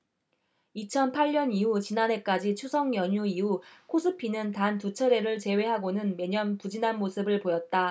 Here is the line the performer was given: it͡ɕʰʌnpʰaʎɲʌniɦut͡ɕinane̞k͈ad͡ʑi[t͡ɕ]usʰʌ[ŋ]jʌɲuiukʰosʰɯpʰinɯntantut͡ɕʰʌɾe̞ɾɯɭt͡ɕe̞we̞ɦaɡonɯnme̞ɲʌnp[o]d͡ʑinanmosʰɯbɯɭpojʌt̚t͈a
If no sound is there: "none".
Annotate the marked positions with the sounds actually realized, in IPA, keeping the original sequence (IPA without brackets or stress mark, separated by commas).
t͡ɕʰ, ŋ, u